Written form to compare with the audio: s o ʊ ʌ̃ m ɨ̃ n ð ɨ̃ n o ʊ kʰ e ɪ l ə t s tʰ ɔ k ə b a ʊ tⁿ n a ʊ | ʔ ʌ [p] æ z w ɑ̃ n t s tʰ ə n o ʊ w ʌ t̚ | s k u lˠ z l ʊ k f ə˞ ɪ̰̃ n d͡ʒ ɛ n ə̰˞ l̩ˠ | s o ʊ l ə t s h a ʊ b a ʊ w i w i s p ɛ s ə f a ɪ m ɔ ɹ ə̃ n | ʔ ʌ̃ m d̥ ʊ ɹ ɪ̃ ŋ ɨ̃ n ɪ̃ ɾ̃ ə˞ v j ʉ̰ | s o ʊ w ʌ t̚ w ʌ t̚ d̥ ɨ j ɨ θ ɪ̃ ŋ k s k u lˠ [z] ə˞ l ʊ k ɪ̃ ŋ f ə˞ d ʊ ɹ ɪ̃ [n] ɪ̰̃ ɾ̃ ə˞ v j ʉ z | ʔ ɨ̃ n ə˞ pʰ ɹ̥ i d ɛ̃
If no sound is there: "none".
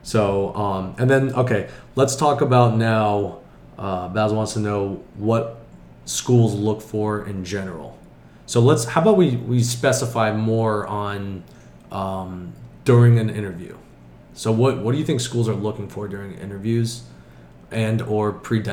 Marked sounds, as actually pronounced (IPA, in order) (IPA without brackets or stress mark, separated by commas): b, z, ŋ